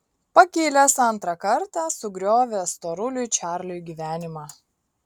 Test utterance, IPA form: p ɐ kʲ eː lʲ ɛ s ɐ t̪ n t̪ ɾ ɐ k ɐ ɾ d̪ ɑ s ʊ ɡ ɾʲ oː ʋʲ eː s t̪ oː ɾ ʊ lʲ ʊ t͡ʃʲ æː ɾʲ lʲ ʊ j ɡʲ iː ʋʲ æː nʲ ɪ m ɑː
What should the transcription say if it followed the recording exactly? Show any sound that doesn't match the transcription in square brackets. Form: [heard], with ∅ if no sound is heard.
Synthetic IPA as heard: p ɐ kʲ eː lʲ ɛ s ɐ [∅] n t̪ ɾ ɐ k ɐ ɾ [t̪] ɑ s ʊ ɡ ɾʲ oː ʋʲ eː s t̪ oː ɾ ʊ lʲ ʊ t͡ʃʲ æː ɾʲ lʲ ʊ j ɡʲ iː ʋʲ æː nʲ ɪ m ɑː